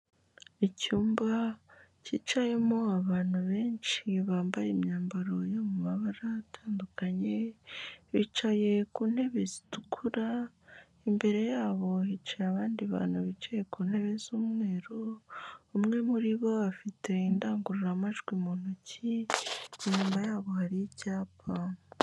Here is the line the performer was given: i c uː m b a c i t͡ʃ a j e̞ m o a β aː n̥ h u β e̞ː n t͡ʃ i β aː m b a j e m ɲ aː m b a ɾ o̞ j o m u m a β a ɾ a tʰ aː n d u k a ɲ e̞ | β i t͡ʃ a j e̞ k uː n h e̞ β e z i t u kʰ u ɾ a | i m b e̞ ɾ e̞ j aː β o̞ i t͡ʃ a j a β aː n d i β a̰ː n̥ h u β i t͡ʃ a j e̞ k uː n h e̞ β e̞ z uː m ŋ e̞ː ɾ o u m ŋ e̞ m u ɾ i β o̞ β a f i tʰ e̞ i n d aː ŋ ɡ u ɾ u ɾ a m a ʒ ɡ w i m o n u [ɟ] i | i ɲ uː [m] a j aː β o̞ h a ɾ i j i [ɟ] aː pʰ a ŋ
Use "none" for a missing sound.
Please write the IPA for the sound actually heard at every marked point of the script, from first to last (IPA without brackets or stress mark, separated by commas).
c, m, c